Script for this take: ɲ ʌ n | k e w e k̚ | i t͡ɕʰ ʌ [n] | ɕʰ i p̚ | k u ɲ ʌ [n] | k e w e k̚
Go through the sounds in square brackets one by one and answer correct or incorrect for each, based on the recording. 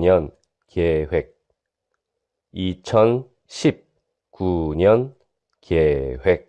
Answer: correct, correct

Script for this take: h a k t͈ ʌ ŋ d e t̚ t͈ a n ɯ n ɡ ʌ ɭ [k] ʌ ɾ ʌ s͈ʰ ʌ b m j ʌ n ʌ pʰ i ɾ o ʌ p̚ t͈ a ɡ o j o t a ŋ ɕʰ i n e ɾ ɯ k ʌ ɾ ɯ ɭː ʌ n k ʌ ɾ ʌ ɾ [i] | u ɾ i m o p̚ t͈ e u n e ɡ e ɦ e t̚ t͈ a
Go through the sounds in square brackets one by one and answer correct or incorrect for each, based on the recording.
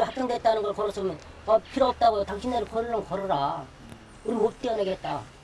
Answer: correct, incorrect: a

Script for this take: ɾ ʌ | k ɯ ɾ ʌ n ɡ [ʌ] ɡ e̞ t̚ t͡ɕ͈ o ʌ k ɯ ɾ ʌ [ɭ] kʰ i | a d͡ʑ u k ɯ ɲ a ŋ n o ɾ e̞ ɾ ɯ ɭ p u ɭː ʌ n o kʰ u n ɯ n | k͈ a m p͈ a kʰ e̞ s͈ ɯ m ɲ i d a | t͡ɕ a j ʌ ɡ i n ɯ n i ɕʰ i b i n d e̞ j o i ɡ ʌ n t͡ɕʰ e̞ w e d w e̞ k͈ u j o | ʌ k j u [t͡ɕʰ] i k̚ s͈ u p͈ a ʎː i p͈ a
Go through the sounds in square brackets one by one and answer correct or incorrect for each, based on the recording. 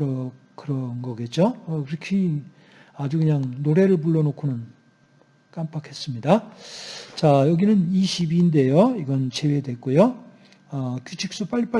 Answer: correct, incorrect: none, correct

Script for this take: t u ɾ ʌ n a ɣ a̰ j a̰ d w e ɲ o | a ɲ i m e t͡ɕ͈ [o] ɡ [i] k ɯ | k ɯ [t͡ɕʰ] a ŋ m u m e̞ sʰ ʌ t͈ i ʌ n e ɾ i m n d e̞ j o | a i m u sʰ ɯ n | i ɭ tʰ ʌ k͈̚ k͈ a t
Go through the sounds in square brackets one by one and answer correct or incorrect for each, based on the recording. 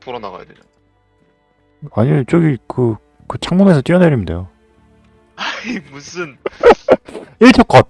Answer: correct, correct, correct

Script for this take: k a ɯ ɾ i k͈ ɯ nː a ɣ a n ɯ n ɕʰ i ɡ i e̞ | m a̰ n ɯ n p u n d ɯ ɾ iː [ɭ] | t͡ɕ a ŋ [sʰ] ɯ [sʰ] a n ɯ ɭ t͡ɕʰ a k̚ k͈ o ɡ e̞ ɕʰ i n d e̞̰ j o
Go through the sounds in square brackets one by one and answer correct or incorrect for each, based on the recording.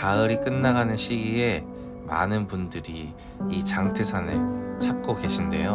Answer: incorrect: none, incorrect: tʰ, correct

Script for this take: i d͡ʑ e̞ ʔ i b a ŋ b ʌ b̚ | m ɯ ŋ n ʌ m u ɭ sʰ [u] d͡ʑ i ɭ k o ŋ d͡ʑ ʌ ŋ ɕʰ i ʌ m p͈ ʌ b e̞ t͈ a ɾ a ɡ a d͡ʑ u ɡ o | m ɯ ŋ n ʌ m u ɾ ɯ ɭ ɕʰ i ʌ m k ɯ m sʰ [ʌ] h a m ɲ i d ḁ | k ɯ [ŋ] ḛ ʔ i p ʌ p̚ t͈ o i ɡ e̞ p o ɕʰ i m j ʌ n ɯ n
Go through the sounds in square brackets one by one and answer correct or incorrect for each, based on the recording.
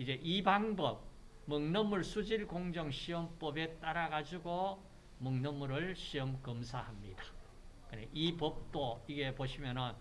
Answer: correct, incorrect: a, incorrect: n

